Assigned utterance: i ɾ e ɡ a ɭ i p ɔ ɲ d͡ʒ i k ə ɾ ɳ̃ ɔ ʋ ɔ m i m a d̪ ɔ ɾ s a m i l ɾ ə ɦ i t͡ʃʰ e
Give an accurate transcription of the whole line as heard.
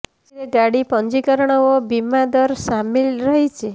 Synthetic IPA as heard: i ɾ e ɡ a ɽ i p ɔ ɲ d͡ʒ i k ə ɾ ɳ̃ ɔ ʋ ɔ b i m a d̪ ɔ ɾ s a m i l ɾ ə ɦ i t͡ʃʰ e

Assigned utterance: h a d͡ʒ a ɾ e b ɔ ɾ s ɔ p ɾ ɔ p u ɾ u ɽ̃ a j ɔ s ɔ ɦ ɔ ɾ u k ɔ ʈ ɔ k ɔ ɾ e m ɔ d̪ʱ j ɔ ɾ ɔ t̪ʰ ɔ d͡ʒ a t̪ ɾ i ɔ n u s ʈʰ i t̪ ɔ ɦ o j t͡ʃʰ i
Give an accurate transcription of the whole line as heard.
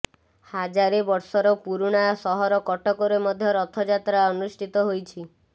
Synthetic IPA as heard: h a d͡ʒ a ɾ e b ɔ ɾ s ɔ ɾ ɔ p u ɾ u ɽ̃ a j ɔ s ɔ ɦ ɔ ɾ ɔ k ɔ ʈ ɔ k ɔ ɾ e m ɔ d̪ʱ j ɔ ɾ ɔ t̪ʰ ɔ d͡ʒ a t̪ ɾ a ɔ n u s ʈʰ i t̪ ɔ ɦ o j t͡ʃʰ i

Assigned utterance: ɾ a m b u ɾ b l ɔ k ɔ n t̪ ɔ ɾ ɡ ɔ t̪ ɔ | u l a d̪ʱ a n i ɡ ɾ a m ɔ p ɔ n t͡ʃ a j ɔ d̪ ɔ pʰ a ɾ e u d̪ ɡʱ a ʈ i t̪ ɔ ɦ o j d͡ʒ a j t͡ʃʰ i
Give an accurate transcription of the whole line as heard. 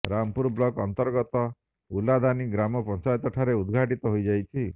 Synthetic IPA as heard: ɾ a m p u ɾ b l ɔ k ɔ n t̪ ɔ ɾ ɡ ɔ t̪ ɔ | u l a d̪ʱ a n i ɡ ɾ a m ɔ p ɔ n t͡ʃ a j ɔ t̪ ɔ ʈʰ a ɾ e u d̪ ɡʱ a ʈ i t̪ ɔ ɦ o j d͡ʒ a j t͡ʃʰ i

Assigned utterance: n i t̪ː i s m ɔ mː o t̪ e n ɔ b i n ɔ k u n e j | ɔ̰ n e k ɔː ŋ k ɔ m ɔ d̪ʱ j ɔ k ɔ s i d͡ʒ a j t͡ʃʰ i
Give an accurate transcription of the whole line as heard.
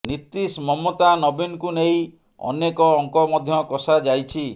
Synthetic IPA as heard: n i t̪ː i s m ɔ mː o t̪ a n ɔ b i n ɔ k u n e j | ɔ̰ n e k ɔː ŋ k ɔ m ɔ d̪ʱ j ɔ k ɔ s a d͡ʒ a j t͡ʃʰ i

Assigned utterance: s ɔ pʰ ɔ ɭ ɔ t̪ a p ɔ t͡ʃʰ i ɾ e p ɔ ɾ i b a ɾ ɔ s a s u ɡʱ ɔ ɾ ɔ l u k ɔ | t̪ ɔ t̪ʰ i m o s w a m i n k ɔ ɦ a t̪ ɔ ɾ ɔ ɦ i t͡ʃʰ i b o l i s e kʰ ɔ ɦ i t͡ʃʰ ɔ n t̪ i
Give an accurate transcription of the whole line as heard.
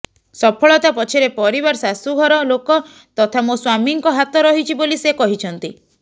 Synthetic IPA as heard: s ɔ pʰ ɔ ɭ ɔ t̪ a p ɔ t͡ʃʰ i ɾ e p ɔ ɾ i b a ɾ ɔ s a s u ɡʱ ɔ ɾ ɔ l o k ɔ | t̪ ɔ t̪ʰ a m o s w a m i ŋ k ɔ ɦ a t̪ ɔ ɾ ɔ ɦ i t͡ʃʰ i b o l i s e k ɔ ɦ i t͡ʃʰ ɔ n t̪ i

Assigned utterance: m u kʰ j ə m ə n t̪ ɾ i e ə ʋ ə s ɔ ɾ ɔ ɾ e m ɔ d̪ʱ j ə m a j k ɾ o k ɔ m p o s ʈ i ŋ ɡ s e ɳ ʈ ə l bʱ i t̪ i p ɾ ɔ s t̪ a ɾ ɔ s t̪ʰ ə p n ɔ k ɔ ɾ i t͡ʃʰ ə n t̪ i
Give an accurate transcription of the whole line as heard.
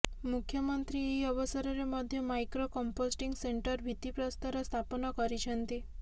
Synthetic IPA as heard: m u kʰ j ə m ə n t̪ ɾ i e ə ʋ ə s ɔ ɾ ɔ ɾ e m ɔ d̪ʱ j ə m a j k ɾ o k ɔ m p o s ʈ i ŋ ɡ s e ɳ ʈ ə ɾ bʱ i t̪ i p ɾ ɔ s t̪ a ɾ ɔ s t̪ʰ a p n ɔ k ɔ ɾ i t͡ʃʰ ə n t̪ i

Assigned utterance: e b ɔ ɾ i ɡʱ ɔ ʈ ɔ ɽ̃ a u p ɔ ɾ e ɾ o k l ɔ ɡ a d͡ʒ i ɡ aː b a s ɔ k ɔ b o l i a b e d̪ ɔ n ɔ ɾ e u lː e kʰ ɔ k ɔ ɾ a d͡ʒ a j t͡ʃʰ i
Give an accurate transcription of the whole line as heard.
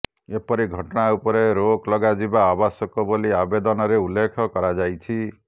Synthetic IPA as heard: e p ɔ ɾ i ɡʱ ɔ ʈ ɔ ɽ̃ a u p ɔ ɾ e ɾ o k l ɔ ɡ a d͡ʒ i b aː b a s ɔ k ɔ b o l i a b e d̪ ɔ n ɔ ɾ e u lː e kʰ ɔ k ɔ ɾ a d͡ʒ a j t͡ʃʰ i

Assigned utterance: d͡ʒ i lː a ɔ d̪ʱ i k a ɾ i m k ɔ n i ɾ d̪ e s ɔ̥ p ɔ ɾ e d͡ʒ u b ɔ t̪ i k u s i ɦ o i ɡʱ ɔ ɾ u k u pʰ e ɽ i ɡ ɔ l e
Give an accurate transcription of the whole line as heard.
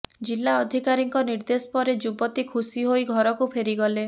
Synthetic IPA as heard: d͡ʒ i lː a ɔ d̪ʱ i k a ɾ i ŋ k ɔ n i ɾ d̪ e s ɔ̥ p ɔ ɾ e d͡ʒ u b ɔ t̪ i kʰ u s i ɦ o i ɡʱ ɔ ɾ ɔ k u pʰ e ɾ i ɡ ɔ l e

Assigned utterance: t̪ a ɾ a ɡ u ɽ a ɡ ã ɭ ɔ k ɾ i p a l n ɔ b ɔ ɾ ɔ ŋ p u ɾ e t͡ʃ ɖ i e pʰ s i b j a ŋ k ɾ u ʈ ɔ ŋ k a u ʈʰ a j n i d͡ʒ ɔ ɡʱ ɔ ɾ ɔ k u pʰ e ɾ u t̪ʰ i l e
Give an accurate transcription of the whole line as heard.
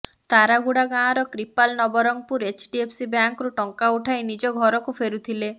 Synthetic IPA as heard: t̪ a ɾ a ɡ u ɽ a ɡ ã ɾ ɔ k ɾ i p a l n ɔ b ɔ ɾ ɔ ŋ p u ɾ e t͡ʃ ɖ i e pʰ s i b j a ŋ k ɾ u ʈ ɔ ŋ k a u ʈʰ a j n i d͡ʒ ɔ ɡʱ ɔ ɾ ɔ k u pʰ e ɾ u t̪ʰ i l e

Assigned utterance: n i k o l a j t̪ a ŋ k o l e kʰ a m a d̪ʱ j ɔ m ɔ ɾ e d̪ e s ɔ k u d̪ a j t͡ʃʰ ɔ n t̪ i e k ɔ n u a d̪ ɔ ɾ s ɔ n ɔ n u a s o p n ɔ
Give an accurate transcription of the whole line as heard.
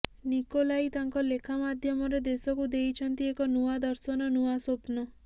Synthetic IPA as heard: n i k o l a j t̪ a ŋ k ɔ l e kʰ a m a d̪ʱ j ɔ m ɔ ɾ e d̪ e s ɔ k u d̪ e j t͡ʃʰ ɔ n t̪ i e k ɔ n u a d̪ ɔ ɾ s ɔ n ɔ n u a s o p n ɔ

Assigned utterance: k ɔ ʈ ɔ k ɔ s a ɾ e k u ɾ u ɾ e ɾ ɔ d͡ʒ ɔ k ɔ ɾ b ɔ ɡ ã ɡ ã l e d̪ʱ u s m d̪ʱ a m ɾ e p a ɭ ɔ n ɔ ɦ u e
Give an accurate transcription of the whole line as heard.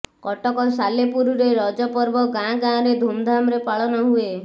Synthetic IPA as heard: k ɔ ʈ ɔ k ɔ s a l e p u ɾ u ɾ e ɾ ɔ d͡ʒ ɔ p ɔ ɾ b ɔ ɡ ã ɡ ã ɾ e d̪ʱ u m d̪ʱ a m ɾ e p a ɭ ɔ n ɔ ɦ u e

